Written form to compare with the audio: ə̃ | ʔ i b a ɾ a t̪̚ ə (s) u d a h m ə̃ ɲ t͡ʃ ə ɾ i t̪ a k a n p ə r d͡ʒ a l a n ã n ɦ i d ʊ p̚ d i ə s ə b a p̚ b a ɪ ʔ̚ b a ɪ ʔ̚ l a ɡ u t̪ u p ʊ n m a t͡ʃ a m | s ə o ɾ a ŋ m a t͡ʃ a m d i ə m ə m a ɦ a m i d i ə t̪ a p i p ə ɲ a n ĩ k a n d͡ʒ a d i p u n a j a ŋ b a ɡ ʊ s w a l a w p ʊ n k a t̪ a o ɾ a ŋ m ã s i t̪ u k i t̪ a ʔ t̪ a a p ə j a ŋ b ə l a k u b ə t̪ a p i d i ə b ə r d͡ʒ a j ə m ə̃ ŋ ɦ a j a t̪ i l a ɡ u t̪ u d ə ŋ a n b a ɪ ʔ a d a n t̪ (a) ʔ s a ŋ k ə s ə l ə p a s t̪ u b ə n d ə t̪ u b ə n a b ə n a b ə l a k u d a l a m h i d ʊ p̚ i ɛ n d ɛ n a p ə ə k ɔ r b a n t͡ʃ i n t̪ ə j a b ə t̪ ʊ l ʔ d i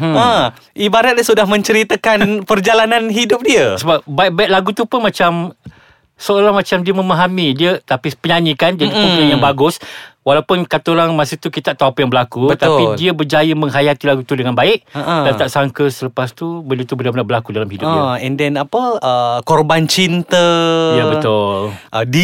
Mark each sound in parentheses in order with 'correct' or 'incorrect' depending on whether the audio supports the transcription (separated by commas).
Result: correct, correct